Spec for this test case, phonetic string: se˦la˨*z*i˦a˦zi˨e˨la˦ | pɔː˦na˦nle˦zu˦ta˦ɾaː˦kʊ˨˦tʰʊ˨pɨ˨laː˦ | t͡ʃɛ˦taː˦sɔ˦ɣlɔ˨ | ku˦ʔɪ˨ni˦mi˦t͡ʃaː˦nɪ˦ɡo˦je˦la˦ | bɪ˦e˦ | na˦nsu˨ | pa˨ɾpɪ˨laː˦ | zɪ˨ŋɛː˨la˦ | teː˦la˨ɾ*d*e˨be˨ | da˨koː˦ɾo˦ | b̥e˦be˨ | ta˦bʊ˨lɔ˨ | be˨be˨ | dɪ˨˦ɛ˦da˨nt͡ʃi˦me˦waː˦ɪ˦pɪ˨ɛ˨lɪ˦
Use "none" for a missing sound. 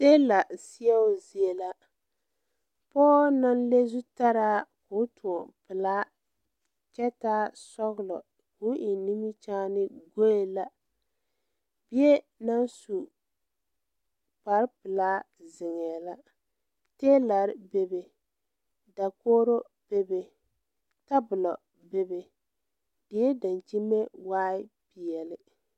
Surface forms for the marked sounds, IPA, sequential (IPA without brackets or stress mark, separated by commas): s, b